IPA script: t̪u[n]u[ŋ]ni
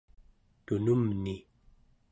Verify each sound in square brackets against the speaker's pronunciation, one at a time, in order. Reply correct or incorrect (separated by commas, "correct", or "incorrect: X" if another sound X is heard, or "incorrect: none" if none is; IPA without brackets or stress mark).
correct, incorrect: m